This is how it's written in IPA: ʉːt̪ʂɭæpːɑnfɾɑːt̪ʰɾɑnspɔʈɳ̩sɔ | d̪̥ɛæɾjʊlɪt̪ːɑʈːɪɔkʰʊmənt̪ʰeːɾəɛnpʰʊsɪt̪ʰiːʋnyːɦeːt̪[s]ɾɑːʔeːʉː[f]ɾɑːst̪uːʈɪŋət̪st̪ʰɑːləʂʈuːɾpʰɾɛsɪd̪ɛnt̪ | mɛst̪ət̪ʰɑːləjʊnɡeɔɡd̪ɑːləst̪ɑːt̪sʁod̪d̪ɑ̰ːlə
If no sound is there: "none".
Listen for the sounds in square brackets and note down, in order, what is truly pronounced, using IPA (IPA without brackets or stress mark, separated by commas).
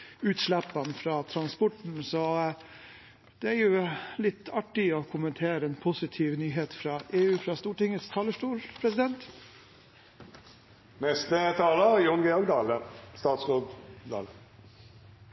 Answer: f, f